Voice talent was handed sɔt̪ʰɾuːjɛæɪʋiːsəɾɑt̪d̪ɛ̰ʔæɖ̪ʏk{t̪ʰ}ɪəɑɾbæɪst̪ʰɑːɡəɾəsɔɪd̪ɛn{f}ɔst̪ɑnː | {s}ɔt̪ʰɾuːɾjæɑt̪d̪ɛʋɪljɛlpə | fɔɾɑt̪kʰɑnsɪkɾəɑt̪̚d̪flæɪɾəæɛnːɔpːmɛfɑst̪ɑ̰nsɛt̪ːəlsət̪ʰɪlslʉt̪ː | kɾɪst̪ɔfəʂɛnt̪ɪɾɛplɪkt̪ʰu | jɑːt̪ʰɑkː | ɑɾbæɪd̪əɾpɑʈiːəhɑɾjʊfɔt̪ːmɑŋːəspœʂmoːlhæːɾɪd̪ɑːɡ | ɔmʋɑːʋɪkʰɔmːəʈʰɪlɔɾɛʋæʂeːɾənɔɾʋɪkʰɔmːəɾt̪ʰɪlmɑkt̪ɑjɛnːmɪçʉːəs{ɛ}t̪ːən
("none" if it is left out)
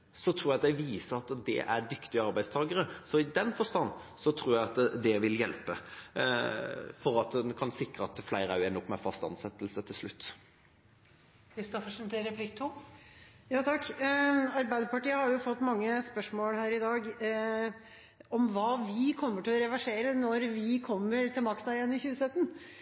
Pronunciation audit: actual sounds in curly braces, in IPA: t̪, f, s, œ

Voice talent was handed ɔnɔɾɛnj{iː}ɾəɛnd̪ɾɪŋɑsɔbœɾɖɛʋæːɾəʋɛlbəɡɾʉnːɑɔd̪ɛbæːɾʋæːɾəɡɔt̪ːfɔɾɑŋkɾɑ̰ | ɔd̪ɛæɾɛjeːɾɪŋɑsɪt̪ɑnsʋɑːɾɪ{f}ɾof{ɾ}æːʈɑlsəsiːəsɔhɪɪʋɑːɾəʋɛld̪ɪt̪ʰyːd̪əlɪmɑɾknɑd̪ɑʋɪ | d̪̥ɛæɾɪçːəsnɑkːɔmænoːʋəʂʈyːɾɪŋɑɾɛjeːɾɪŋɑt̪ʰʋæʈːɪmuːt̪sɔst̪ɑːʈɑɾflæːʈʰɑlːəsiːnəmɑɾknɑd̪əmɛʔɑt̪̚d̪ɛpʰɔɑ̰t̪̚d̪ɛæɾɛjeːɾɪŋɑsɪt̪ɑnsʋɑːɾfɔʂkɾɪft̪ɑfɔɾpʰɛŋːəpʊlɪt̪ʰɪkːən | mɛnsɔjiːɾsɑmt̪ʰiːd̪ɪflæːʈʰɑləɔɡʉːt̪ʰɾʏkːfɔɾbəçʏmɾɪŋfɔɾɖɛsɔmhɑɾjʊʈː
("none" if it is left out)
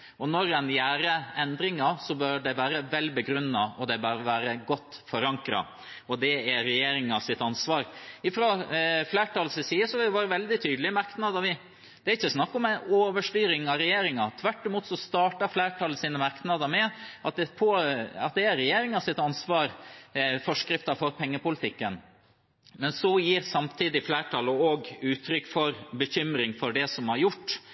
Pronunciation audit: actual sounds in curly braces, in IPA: æː, f, l

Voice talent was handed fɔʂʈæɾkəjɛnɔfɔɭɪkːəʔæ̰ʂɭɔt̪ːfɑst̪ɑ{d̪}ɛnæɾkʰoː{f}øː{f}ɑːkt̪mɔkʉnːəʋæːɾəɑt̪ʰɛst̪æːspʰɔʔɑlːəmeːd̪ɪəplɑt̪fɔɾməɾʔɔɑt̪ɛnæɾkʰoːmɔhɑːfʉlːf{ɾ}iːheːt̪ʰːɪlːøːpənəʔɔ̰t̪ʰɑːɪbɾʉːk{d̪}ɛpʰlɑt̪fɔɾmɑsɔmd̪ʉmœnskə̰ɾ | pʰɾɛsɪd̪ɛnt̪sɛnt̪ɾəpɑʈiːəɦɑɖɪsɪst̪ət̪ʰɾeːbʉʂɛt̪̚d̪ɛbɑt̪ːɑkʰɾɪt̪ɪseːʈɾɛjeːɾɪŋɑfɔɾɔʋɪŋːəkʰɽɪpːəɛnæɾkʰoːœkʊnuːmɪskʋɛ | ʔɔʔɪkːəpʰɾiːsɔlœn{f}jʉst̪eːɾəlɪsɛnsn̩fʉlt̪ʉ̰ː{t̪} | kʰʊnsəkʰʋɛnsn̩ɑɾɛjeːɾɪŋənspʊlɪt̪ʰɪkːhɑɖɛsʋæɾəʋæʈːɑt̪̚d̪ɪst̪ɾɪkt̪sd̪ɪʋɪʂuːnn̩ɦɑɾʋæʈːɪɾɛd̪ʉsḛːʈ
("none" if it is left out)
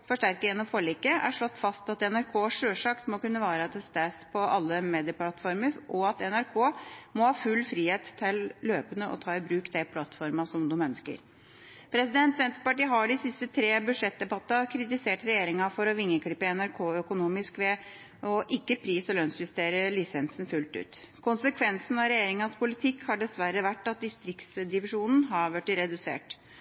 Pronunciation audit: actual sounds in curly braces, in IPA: t̪, ʂ, ʂ, ɾ, d̪, s, t̪

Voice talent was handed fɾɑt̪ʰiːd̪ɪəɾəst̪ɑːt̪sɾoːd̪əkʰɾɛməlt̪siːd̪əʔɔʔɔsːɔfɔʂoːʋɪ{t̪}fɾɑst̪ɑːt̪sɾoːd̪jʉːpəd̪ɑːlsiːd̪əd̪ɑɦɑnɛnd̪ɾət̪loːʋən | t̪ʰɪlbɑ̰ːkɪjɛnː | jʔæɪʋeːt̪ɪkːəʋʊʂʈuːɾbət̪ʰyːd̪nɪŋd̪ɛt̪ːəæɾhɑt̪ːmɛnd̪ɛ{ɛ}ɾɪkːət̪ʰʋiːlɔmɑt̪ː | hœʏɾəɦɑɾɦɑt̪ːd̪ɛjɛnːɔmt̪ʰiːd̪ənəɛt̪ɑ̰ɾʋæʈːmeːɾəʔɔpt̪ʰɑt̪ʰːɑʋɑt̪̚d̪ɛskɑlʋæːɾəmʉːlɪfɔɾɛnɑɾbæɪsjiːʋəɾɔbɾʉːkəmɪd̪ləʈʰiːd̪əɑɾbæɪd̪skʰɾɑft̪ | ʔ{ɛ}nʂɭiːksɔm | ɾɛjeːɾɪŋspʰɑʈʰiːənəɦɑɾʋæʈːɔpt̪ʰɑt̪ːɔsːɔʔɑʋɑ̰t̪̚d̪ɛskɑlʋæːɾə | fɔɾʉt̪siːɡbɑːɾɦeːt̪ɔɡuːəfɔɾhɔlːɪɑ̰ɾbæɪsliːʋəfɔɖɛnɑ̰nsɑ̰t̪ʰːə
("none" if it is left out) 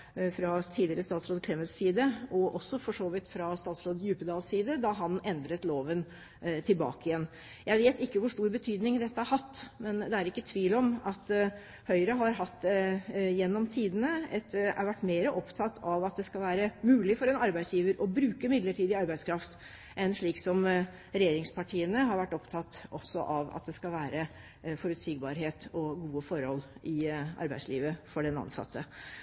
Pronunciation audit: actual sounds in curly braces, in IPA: t̪, æ, ɛ

